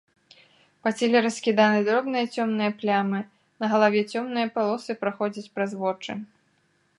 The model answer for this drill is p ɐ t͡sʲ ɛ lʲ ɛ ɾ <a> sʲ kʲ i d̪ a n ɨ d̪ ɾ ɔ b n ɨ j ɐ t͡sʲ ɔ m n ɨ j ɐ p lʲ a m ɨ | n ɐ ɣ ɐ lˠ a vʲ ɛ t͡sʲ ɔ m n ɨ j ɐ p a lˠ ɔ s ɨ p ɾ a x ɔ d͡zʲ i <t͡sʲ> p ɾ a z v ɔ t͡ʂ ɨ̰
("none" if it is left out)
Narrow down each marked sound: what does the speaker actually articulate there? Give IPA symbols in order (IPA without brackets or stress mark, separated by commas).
ɐ, t͡sʲ